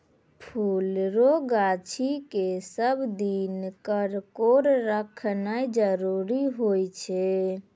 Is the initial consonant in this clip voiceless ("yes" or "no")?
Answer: yes